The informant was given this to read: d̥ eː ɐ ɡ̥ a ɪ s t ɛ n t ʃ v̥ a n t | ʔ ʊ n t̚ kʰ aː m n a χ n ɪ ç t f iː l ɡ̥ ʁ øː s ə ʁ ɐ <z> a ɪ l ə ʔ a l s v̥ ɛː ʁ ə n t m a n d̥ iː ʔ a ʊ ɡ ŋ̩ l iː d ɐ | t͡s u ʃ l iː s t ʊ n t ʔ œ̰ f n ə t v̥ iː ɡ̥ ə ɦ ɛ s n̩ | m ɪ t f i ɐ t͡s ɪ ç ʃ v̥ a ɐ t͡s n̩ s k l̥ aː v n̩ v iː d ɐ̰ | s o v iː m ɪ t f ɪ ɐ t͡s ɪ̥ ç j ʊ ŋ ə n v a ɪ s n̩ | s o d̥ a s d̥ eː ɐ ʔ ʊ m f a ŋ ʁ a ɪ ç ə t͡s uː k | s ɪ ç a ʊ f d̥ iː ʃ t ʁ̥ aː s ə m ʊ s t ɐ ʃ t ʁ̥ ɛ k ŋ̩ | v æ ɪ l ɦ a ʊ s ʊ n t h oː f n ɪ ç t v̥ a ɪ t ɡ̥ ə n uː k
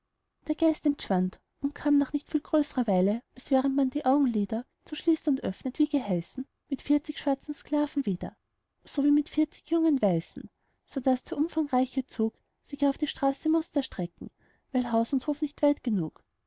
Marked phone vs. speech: incorrect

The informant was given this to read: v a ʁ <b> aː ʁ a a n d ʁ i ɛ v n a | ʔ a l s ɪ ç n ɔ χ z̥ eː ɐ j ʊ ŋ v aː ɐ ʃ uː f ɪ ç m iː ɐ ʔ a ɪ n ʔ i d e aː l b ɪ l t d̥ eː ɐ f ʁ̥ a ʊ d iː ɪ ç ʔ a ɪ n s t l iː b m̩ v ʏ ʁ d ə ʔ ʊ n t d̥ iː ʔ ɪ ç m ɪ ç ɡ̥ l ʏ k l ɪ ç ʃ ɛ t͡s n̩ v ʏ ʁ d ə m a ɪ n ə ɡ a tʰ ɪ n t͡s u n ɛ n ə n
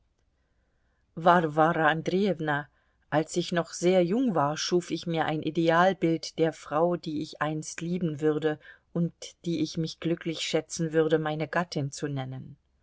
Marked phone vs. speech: incorrect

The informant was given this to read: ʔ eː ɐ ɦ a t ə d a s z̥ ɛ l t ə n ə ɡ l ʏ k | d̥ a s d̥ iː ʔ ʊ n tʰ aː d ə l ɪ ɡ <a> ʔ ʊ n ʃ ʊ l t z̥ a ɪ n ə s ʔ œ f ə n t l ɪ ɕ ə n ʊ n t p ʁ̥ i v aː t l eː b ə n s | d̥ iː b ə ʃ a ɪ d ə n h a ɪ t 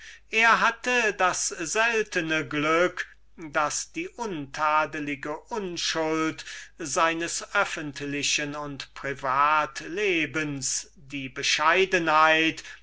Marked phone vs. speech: incorrect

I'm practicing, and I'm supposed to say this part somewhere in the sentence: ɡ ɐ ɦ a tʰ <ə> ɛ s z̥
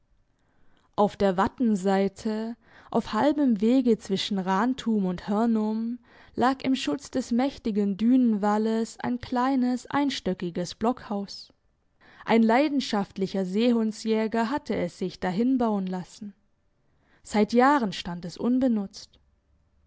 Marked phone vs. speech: correct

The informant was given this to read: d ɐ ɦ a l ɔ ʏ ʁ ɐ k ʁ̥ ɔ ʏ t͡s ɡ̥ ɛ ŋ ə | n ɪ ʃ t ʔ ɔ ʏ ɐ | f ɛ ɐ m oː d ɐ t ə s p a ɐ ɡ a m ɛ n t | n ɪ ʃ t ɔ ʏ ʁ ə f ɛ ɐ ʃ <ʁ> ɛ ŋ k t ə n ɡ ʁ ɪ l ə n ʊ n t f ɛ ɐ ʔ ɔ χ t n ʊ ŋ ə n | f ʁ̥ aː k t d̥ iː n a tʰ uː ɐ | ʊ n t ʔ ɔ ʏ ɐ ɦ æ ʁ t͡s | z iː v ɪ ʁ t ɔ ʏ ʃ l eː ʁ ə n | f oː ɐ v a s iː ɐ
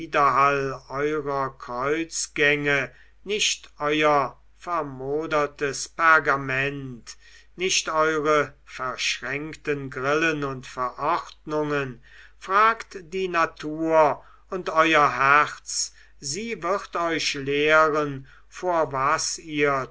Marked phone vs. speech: correct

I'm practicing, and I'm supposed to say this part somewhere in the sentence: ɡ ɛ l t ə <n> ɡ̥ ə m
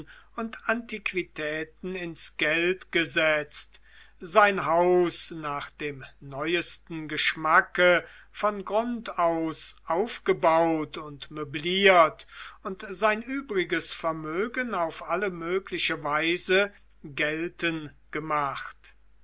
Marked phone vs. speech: correct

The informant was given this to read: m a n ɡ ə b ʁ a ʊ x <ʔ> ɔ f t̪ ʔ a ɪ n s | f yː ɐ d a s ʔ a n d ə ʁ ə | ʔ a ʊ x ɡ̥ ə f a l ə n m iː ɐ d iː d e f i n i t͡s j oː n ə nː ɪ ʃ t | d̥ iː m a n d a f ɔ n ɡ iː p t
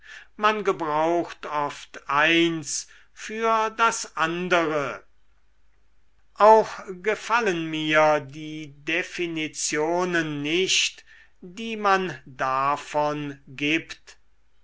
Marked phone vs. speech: incorrect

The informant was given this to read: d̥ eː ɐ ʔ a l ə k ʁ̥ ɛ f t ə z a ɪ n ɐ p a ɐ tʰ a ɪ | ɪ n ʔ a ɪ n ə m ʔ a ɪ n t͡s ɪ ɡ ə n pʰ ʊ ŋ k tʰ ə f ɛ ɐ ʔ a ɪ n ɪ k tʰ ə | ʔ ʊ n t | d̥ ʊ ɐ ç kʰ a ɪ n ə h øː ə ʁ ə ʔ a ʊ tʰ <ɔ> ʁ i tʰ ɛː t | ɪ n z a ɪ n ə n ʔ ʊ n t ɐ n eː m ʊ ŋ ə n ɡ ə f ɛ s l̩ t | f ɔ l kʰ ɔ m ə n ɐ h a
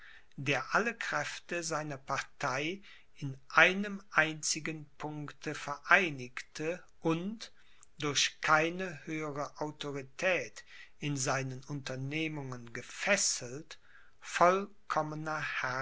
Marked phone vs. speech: incorrect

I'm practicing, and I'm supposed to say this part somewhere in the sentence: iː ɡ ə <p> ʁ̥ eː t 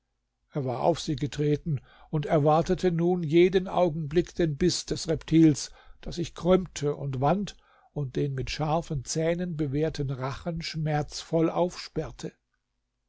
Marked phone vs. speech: incorrect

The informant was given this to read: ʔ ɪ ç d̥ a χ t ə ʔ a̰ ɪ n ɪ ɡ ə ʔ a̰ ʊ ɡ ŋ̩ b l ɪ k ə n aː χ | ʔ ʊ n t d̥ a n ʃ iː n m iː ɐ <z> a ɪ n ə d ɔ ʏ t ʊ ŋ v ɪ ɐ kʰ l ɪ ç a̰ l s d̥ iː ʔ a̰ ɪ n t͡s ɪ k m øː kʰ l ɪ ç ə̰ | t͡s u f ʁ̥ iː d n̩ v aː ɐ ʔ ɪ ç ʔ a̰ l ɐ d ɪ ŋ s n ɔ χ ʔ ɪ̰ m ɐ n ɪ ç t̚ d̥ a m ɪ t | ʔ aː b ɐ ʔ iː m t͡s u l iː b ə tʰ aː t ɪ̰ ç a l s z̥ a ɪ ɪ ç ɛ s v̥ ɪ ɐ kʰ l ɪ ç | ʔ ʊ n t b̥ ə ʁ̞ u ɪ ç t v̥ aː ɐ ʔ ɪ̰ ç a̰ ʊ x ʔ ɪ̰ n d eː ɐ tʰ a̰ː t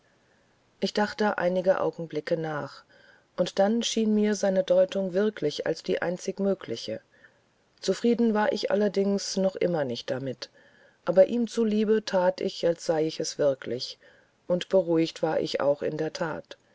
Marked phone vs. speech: correct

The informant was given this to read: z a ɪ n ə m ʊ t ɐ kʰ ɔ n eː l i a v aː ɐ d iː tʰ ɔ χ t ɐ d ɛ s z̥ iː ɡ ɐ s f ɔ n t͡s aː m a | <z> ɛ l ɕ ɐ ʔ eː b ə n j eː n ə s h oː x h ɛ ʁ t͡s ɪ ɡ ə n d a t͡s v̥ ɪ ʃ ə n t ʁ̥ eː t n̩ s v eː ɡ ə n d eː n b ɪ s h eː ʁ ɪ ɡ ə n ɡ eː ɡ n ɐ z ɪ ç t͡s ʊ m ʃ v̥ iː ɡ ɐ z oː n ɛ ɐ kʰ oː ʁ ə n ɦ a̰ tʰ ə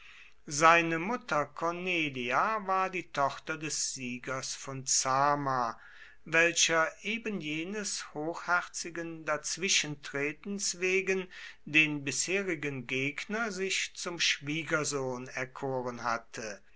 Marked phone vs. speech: incorrect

